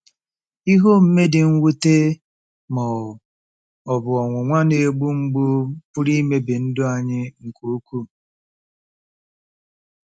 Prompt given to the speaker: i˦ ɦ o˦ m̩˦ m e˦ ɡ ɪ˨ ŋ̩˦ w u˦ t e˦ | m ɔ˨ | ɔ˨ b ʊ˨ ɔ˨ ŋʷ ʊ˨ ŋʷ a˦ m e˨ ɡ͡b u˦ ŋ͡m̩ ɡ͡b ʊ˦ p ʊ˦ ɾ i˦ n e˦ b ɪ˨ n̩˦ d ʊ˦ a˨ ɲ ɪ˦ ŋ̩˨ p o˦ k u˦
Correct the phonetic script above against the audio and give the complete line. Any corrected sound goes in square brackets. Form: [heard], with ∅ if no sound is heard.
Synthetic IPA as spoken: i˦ ɦ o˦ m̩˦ m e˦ [d] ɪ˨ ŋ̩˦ w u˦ t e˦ | m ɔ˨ | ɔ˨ b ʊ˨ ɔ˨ ŋʷ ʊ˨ ŋʷ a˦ [n] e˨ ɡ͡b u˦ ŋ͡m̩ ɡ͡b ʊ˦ p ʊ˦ ɾ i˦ [m] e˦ b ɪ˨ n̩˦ d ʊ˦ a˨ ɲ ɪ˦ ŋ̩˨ [k] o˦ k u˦